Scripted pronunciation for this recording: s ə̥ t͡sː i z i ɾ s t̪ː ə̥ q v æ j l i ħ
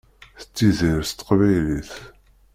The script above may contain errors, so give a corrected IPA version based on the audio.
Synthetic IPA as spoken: θ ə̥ t͡sː i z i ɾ s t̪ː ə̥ q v æ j l i θ